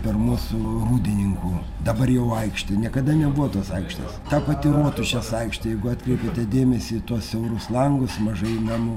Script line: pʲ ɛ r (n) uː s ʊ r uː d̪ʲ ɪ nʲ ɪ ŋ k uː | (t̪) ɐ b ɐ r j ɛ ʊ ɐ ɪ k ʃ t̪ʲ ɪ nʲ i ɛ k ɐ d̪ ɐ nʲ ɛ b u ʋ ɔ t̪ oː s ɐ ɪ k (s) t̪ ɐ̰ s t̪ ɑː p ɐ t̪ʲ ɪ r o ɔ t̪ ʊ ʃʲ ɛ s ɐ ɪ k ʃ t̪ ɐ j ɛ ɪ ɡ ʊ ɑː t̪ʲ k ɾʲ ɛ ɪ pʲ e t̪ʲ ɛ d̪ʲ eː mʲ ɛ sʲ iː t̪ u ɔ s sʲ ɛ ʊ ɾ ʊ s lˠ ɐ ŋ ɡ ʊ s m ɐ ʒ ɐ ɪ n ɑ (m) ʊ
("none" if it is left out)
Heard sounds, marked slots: m, d̪, ʃ, m

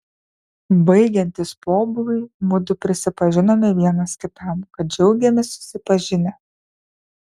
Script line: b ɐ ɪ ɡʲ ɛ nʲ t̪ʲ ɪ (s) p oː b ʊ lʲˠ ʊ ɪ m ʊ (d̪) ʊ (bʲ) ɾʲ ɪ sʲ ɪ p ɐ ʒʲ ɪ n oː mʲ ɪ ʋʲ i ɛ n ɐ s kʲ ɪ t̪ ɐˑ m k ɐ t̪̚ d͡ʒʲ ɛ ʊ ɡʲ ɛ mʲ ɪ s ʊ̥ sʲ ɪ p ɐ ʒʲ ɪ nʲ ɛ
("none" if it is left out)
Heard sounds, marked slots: s, d̪, pʲ

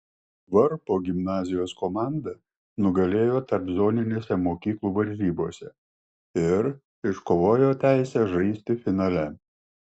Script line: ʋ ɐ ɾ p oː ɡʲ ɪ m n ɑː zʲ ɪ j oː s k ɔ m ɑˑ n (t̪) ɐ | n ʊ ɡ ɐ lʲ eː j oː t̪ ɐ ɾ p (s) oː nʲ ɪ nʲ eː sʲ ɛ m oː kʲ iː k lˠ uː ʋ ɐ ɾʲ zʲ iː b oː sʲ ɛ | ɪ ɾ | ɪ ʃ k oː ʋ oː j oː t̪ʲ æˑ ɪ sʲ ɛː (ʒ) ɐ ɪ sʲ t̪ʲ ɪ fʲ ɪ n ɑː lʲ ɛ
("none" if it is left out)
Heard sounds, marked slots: d̪, z, ʒ

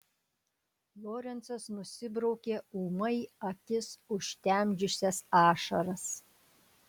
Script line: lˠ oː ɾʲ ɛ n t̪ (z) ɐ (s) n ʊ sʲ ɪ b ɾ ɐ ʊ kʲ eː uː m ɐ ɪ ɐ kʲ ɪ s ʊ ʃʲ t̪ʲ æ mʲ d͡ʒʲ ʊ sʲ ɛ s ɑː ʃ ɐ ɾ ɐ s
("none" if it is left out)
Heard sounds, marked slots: s, s

